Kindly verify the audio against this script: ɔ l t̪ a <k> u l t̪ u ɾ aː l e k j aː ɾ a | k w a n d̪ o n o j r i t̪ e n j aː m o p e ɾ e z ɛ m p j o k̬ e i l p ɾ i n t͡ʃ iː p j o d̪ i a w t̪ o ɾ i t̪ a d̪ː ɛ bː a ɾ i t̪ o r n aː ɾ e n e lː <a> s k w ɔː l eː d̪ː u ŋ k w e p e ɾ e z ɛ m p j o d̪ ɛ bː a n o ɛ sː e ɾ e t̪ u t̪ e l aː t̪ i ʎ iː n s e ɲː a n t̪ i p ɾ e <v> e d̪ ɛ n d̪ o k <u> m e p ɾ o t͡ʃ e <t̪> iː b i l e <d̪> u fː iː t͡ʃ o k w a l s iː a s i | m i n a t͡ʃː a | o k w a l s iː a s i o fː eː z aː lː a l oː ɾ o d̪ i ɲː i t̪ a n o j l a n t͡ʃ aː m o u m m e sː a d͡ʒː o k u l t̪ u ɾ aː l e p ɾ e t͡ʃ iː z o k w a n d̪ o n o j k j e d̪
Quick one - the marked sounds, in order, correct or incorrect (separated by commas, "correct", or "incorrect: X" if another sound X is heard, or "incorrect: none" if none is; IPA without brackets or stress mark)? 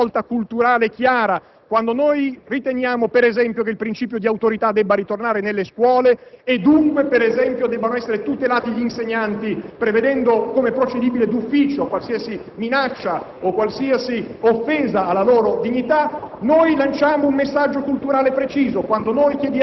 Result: correct, incorrect: e, correct, incorrect: o, incorrect: d̪, correct